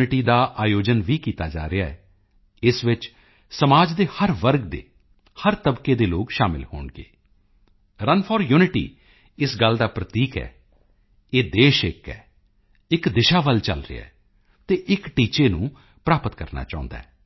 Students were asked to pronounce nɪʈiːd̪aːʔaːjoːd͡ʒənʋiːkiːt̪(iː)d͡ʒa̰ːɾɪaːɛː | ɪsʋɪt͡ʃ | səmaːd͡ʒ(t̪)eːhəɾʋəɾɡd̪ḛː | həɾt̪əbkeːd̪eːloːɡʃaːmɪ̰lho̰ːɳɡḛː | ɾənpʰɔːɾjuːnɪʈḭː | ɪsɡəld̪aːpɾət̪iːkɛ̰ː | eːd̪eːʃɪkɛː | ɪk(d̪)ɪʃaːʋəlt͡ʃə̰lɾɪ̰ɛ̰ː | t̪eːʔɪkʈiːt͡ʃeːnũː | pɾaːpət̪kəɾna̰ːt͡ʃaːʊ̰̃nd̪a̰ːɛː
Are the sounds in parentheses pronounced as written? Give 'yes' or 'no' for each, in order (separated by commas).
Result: no, no, yes